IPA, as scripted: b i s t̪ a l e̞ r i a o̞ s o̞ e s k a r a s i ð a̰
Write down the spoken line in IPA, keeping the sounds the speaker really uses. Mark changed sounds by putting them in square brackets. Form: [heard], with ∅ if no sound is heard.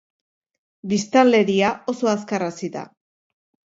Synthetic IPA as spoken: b i s t̪ a l e̞ [ɾ] i a o̞ s o̞ [a] s k a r a s i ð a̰